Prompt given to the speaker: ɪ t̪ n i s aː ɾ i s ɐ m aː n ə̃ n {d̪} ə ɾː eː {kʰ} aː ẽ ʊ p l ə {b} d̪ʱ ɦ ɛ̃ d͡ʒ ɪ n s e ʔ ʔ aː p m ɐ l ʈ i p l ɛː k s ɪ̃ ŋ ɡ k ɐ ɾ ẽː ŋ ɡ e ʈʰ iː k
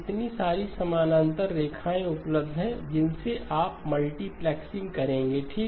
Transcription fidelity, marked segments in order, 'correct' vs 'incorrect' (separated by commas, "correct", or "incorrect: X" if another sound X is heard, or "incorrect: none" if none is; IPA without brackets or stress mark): incorrect: t̪, correct, correct